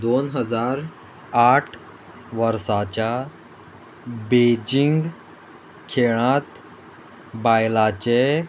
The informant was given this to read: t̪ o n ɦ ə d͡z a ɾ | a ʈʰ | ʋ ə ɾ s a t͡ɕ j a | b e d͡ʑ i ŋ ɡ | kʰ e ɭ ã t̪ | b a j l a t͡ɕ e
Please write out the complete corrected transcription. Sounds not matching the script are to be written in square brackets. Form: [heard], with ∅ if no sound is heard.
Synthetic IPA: [d̪] o n ɦ ə d͡z a ɾ | a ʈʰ | ʋ ə ɾ s a t͡ɕ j a | b e d͡ʑ i ŋ ɡ | kʰ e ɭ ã t̪ | b a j l a t͡ɕ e